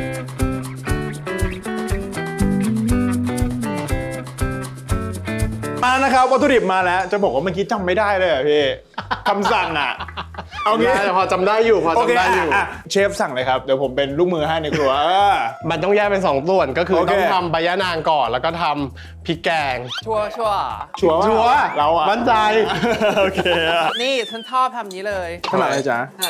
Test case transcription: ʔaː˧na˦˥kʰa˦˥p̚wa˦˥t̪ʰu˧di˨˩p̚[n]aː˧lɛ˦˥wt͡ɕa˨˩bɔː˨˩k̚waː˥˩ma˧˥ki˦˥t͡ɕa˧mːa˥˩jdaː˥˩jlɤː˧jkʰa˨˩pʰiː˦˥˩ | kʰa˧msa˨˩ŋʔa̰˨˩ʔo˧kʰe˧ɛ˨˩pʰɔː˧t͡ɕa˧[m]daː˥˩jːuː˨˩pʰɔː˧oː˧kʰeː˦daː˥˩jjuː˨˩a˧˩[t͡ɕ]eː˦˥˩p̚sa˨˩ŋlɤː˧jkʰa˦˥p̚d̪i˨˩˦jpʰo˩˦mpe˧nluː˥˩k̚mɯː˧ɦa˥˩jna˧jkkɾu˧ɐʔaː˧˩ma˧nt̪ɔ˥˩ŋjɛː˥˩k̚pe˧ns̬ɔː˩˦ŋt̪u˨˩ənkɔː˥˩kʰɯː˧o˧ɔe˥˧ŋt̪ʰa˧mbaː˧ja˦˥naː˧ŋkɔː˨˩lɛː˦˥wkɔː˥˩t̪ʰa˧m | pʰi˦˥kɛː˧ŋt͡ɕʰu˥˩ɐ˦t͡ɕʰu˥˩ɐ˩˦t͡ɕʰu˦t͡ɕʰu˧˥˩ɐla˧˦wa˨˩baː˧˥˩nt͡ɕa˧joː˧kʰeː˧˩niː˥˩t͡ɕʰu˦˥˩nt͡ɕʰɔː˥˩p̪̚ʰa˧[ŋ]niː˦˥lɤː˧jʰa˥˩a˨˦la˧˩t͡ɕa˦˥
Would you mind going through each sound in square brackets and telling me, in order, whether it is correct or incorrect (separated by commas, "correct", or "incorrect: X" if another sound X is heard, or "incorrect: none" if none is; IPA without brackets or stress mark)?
incorrect: m, correct, incorrect: t͡ɕʰ, incorrect: m